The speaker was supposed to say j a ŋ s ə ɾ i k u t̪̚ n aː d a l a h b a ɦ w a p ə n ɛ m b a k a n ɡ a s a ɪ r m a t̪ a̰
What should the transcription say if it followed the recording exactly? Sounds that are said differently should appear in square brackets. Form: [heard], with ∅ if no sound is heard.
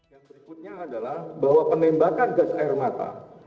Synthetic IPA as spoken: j a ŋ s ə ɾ i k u t̪̚ [ɲ] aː d a l a h b a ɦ w a p ə n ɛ m b a k a n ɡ a s a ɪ r m a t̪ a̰